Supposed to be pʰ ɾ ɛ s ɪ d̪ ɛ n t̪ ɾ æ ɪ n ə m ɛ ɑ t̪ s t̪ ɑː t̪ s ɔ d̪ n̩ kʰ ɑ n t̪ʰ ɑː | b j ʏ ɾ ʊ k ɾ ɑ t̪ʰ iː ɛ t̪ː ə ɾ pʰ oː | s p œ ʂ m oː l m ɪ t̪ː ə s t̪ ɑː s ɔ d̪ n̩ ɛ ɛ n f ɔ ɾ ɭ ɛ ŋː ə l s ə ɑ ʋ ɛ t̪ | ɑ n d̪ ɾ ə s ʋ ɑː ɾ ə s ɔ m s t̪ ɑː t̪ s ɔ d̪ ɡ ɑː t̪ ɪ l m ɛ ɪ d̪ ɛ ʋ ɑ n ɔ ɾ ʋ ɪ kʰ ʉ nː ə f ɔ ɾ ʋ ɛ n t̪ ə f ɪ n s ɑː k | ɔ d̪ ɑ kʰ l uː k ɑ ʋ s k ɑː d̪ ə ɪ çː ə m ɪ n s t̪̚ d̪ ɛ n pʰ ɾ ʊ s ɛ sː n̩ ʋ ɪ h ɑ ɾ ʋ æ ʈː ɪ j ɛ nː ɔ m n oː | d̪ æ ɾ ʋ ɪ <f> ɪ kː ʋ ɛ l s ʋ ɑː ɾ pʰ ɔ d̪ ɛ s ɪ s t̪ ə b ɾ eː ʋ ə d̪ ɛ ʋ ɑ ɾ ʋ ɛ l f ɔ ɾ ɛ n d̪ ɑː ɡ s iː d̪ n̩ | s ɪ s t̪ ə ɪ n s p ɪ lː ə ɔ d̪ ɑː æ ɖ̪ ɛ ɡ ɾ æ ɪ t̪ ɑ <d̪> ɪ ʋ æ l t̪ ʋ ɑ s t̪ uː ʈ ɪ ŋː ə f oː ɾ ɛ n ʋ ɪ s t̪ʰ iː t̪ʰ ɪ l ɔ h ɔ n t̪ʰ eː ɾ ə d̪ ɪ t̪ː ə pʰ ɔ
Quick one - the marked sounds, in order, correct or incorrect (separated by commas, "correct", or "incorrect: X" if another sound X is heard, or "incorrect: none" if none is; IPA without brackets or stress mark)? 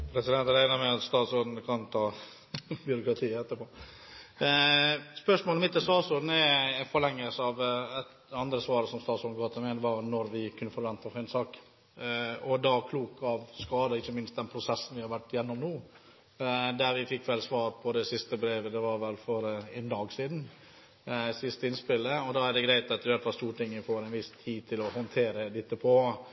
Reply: correct, incorrect: t̪